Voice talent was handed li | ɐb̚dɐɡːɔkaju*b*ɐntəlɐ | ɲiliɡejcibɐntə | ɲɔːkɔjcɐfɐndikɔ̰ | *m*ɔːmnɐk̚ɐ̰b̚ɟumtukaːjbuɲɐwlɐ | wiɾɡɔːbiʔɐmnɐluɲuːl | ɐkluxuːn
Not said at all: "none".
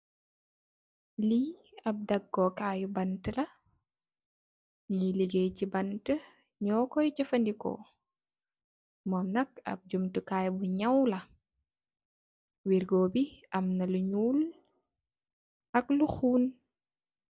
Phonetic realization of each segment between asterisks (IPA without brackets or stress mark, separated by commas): b, m